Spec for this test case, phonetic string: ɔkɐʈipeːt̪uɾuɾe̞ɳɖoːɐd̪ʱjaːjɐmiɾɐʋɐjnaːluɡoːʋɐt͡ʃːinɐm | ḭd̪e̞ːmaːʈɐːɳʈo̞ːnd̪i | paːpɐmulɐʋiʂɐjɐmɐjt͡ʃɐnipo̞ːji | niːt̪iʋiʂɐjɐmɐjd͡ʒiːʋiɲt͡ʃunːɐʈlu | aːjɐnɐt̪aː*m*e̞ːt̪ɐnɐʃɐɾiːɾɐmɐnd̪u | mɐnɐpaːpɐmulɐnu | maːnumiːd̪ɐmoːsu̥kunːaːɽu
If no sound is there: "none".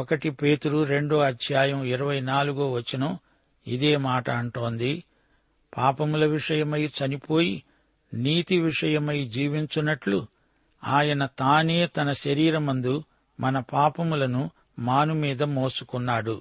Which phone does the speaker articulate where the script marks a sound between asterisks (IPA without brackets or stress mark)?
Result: n